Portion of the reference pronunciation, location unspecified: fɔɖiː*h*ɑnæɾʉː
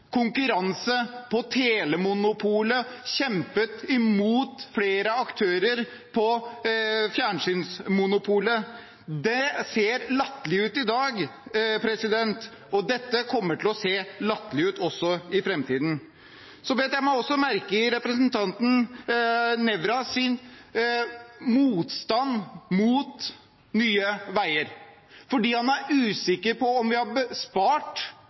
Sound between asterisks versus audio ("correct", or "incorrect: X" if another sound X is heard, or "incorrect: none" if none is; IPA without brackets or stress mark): correct